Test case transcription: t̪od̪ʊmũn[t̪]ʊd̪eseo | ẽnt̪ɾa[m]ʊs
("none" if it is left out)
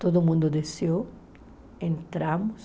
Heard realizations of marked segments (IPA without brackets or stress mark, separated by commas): d̪, m